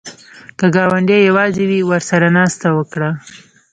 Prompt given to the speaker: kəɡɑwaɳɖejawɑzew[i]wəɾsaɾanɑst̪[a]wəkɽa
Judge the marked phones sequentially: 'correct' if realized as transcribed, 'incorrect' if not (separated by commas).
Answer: correct, correct